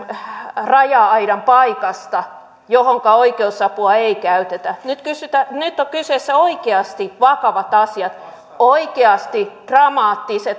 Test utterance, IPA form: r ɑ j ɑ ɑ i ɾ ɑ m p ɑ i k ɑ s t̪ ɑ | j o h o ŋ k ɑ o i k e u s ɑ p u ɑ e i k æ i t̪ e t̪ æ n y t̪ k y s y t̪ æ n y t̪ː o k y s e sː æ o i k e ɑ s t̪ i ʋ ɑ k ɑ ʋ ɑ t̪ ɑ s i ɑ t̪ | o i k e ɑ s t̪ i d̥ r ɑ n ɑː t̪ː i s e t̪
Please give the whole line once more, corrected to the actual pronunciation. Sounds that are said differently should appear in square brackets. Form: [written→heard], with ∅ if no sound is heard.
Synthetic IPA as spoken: r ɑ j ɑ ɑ i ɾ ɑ m p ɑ i k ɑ s t̪ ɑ | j o h o ŋ k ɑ o i k e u s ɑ p u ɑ e i k æ [i→y] t̪ e t̪ æ n y t̪ k y s y t̪ æ n y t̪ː o k y s e sː æ o i k e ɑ s t̪ i ʋ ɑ k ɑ ʋ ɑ t̪ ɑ s i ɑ t̪ | o i k e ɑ s t̪ i d̥ r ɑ [n→m] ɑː t̪ː i s e t̪